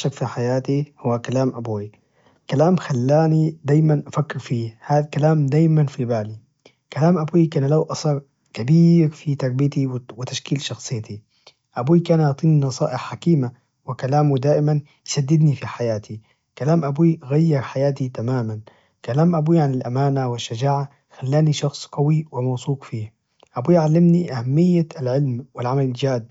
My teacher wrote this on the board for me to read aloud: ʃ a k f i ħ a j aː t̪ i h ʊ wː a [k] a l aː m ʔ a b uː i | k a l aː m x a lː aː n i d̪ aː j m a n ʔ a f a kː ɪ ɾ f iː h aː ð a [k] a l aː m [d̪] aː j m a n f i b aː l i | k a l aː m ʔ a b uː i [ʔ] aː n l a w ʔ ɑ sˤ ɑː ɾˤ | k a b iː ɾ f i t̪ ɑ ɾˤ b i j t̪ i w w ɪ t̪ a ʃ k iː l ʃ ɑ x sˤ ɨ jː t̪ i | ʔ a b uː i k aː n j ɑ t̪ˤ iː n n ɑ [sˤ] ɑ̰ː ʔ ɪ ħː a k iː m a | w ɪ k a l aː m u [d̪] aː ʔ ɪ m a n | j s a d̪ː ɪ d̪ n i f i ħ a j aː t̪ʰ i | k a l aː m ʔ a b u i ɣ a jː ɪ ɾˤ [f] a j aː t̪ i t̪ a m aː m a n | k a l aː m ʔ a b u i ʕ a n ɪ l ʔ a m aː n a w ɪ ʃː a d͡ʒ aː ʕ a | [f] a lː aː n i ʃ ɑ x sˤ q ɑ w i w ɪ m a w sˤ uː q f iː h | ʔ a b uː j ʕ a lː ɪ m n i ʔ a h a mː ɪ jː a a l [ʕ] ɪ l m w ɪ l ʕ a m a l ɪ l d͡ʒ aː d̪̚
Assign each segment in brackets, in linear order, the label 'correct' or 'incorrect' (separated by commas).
correct, correct, correct, incorrect, correct, correct, incorrect, incorrect, correct